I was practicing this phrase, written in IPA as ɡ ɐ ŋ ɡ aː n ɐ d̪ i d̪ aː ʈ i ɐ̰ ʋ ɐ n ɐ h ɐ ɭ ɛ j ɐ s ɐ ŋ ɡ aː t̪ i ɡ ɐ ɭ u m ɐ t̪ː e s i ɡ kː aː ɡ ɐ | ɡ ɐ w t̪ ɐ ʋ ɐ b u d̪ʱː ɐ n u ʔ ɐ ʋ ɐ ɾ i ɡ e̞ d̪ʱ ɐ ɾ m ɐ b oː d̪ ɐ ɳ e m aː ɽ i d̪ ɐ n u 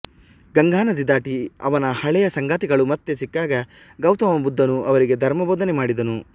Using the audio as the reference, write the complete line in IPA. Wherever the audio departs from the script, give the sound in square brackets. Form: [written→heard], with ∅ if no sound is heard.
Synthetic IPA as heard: ɡ ɐ ŋ ɡ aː n ɐ d̪ i d̪ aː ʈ i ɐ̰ ʋ ɐ n ɐ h ɐ ɭ ɛ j ɐ s ɐ ŋ ɡ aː t̪ i ɡ ɐ ɭ u m ɐ t̪ː e s i [ɡ→∅] kː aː ɡ ɐ | ɡ ɐ w t̪ ɐ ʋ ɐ b u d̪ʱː ɐ n u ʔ ɐ ʋ ɐ ɾ i ɡ e̞ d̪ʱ ɐ ɾ m ɐ b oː d̪ ɐ [ɳ→n] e m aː ɽ i d̪ ɐ n u

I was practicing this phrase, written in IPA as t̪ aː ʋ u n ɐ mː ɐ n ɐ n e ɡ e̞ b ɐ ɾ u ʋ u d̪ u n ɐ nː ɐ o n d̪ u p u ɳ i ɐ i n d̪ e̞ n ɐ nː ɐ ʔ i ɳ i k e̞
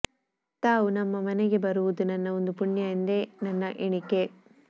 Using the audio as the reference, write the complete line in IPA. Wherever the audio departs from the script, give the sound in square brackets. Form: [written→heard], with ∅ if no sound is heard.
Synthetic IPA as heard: t̪ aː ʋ u n ɐ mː ɐ [n→m] ɐ n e ɡ e̞ b ɐ ɾ u ʋ u d̪ u n ɐ nː ɐ o n d̪ u p u ɳ [i→j] ɐ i n d̪ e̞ n ɐ nː ɐ ʔ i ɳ i k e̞

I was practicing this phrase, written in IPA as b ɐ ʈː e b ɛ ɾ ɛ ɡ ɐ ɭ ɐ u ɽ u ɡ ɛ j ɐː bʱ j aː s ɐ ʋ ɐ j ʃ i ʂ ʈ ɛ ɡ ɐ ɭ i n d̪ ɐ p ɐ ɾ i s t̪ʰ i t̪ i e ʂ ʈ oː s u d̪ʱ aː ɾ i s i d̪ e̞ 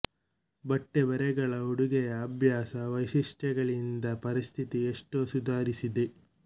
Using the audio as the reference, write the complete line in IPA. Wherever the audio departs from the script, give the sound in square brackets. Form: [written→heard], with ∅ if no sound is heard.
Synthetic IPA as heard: b ɐ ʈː e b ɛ ɾ ɛ ɡ ɐ ɭ ɐ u ɽ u ɡ ɛ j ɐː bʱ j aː s ɐ ʋ ɐ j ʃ i ʂ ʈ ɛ ɡ ɐ ɭ i n d̪ ɐ p ɐ ɾ i s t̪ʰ i t̪ i e ʂ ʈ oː s u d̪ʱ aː ɾ i s i d̪ e̞

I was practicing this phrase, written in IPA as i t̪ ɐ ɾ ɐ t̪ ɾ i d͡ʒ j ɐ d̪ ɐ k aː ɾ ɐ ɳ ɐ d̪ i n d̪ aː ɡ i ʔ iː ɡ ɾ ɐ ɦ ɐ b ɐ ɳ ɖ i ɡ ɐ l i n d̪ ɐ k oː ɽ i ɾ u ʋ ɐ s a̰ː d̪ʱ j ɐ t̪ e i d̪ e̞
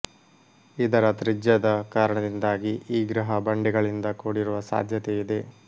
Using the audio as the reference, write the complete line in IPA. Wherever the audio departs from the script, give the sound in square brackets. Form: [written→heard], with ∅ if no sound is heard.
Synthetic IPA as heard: i [t̪→d̪] ɐ ɾ ɐ t̪ ɾ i d͡ʒ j ɐ d̪ ɐ k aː ɾ ɐ ɳ ɐ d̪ i n d̪ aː ɡ i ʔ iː ɡ ɾ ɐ ɦ ɐ b ɐ ɳ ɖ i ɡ ɐ [l→ɭ] i n d̪ ɐ k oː ɽ i ɾ u ʋ ɐ s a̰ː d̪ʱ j ɐ t̪ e i d̪ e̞

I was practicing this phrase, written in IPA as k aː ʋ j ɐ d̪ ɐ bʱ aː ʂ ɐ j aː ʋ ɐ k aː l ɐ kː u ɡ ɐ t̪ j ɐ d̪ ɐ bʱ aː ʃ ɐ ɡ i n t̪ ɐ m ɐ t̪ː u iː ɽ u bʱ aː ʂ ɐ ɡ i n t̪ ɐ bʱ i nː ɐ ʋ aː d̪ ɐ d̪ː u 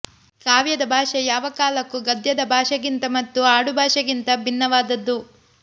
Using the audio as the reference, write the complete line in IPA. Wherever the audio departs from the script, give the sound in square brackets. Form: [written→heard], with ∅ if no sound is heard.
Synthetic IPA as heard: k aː ʋ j ɐ d̪ ɐ bʱ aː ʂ ɐ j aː ʋ ɐ k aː l ɐ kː u ɡ ɐ [t̪→d̪] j ɐ d̪ ɐ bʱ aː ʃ ɐ ɡ i n t̪ ɐ m ɐ t̪ː u [iː→aː] ɽ u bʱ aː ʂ ɐ ɡ i n t̪ ɐ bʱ i nː ɐ ʋ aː d̪ ɐ d̪ː u

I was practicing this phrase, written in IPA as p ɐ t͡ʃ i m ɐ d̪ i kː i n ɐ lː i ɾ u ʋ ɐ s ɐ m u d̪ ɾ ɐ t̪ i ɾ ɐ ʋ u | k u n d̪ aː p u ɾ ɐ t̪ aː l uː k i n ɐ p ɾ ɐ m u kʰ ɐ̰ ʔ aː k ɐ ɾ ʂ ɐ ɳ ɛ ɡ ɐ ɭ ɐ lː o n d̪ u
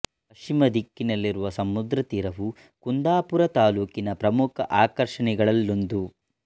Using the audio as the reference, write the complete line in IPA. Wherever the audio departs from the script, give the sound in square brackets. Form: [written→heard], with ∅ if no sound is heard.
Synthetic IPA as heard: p ɐ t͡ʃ i m ɐ d̪ i kː i n ɐ lː i ɾ u ʋ ɐ s ɐ m u d̪ ɾ ɐ t̪ i ɾ ɐ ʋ u | k u n d̪ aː p u ɾ ɐ t̪ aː l uː k i n ɐ p ɾ ɐ m u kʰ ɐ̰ ʔ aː k ɐ ɾ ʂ ɐ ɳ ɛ ɡ ɐ ɭ ɐ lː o n d̪ u

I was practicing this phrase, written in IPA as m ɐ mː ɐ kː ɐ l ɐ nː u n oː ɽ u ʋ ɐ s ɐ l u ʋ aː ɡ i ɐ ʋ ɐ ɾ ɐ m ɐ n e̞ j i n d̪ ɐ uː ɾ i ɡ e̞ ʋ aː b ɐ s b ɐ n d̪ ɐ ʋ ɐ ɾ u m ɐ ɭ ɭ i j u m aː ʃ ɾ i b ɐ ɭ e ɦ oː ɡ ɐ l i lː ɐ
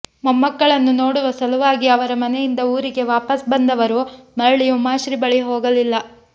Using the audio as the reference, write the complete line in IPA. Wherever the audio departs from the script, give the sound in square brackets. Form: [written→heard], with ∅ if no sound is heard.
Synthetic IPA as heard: m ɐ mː ɐ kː ɐ [l→ɭ] ɐ nː u n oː ɽ u ʋ ɐ s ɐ l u ʋ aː ɡ i ɐ ʋ ɐ ɾ ɐ m ɐ n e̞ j i n d̪ ɐ uː ɾ i ɡ e̞ ʋ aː [b→p] ɐ s b ɐ n d̪ ɐ ʋ ɐ ɾ u m ɐ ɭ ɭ i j u m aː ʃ ɾ i b ɐ ɭ [e→i] ɦ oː ɡ ɐ l i lː ɐ

